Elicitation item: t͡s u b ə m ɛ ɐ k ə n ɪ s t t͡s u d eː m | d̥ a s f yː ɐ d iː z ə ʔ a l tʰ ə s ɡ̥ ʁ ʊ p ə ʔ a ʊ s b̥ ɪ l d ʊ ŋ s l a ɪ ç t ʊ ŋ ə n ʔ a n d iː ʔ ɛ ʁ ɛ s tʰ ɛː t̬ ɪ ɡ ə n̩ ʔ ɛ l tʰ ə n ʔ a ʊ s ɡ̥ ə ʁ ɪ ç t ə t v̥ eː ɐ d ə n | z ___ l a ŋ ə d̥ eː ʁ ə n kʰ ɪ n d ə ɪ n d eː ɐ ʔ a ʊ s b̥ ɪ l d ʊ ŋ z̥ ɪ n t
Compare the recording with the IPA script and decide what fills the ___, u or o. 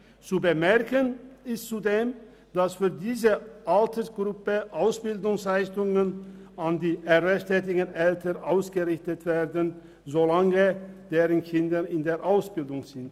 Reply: o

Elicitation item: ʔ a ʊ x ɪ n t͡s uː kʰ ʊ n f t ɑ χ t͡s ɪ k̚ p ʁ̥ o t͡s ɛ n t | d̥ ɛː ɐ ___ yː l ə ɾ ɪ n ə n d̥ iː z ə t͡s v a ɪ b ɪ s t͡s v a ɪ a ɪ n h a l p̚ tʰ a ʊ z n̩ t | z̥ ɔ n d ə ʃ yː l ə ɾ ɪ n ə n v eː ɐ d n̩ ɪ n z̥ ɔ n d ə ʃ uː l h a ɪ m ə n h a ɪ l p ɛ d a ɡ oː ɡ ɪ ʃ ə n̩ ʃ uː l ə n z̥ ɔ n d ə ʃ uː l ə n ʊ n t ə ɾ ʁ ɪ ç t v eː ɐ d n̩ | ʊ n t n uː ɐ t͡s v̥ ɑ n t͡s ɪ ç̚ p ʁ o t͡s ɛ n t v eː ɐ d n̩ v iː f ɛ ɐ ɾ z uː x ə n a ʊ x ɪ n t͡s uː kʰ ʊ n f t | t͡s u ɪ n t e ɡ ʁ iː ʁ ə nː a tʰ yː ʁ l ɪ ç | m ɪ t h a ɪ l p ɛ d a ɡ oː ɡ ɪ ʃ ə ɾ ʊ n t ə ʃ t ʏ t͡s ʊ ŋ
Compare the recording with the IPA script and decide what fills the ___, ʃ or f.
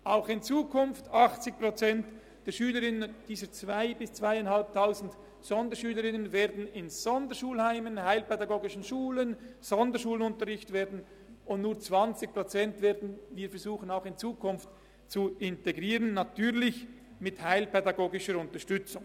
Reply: ʃ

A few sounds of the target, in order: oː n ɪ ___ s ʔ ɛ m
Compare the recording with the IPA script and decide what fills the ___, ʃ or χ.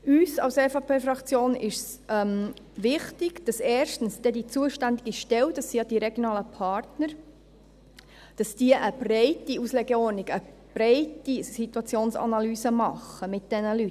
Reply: ʃ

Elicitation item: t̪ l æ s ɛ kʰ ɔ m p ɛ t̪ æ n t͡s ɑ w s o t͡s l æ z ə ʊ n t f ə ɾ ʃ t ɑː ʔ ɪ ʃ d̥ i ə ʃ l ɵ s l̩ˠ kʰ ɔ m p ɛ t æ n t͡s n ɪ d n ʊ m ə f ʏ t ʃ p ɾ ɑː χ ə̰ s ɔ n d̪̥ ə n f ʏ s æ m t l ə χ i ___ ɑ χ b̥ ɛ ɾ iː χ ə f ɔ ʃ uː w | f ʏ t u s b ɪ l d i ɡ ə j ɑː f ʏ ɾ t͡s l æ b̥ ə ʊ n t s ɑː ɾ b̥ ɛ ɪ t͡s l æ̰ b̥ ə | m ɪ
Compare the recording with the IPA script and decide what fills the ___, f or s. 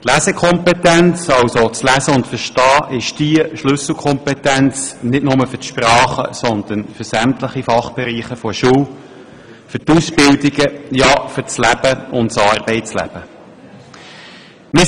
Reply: f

